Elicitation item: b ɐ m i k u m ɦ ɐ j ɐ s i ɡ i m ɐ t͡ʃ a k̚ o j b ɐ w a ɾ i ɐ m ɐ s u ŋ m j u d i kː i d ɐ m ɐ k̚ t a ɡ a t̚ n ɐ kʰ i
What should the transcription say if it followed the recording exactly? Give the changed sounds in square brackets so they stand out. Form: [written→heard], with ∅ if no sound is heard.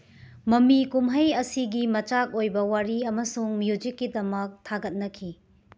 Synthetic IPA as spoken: [b→m] ɐ m i k u m ɦ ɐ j ɐ s i ɡ i m ɐ t͡ʃ a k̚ o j b ɐ w a ɾ i ɐ m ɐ s u ŋ m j u [d→d͡ʒ] i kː i d ɐ m ɐ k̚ [t→tʰ] a ɡ [a→ɐ] t̚ n ɐ kʰ i